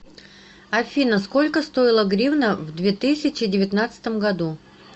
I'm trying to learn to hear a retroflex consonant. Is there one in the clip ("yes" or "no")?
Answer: no